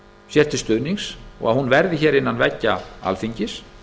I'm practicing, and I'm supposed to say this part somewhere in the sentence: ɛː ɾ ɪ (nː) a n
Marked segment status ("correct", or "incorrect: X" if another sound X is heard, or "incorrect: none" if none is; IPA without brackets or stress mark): correct